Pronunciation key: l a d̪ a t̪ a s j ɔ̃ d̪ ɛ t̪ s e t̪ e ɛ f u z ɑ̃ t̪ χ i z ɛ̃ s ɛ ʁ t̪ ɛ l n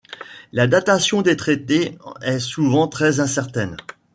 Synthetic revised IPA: l a d̪ a t̪ a s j ɔ̃ d̪ e t̪ χ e t̪ e ɛ s u v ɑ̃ t̪ χ ɛ z ɛ̃ s ɛ ʁ t̪ ɛ n